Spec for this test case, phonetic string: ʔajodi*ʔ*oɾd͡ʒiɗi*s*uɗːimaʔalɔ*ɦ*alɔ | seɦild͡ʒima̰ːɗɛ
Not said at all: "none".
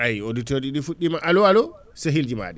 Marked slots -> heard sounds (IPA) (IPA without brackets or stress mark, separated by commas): t, f, none